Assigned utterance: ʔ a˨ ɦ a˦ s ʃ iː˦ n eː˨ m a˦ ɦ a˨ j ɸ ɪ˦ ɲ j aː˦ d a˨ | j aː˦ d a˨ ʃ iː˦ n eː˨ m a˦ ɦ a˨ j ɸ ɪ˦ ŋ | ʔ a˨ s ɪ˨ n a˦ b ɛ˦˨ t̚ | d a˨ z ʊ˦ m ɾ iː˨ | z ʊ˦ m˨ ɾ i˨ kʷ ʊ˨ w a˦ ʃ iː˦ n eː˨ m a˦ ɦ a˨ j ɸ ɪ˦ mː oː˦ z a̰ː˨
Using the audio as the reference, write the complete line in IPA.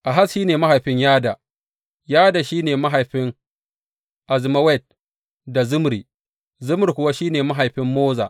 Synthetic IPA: ʔ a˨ ɦ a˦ s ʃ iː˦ n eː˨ m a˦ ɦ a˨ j ɸ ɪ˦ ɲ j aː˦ d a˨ | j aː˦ d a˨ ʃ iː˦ n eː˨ m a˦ ɦ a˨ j ɸ ɪ˦ ŋ | ʔ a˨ z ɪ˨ m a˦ w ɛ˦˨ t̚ | d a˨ z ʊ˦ m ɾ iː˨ | z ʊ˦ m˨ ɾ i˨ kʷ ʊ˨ w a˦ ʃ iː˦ n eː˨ m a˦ ɦ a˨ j ɸ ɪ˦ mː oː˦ z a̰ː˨